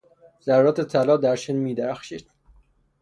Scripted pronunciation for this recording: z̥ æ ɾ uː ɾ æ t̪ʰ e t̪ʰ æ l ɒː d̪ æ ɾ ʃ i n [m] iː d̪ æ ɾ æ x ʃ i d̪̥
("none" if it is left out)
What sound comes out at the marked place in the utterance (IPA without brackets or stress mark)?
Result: m